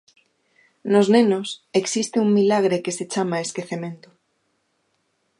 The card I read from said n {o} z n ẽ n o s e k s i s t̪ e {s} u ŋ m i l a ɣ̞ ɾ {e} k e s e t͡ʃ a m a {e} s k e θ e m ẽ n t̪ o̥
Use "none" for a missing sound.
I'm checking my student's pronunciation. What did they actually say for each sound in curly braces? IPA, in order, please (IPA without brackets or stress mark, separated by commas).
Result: o, none, e, e